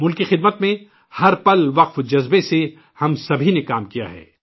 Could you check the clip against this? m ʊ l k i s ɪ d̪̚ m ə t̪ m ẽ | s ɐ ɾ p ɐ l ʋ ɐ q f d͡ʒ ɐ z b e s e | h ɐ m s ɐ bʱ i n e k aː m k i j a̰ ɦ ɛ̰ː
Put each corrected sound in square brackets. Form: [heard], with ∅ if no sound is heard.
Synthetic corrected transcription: m ʊ l k i [x] ɪ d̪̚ m ə t̪ m ẽ | [h] ɐ ɾ p ɐ l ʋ ɐ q f d͡ʒ ɐ z b e s e | h ɐ m s ɐ bʱ i n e k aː m k i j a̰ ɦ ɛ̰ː